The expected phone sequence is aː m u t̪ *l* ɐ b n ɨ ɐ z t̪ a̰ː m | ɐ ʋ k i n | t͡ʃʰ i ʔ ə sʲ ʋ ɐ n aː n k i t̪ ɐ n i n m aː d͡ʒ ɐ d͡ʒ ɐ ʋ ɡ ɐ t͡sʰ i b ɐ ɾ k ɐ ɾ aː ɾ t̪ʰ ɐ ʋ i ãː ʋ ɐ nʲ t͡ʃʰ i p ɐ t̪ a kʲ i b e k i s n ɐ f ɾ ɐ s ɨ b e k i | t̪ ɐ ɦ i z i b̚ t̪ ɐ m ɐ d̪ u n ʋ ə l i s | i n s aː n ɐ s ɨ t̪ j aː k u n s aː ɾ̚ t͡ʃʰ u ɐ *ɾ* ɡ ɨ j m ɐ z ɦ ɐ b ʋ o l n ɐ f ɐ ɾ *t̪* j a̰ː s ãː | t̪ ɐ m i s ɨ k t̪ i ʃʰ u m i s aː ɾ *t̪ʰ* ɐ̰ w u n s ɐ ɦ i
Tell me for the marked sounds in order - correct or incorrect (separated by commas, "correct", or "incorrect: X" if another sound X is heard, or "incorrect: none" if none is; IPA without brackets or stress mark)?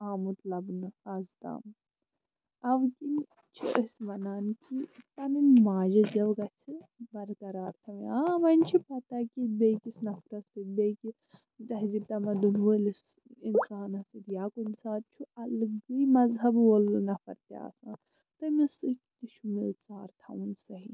correct, incorrect: l, correct, correct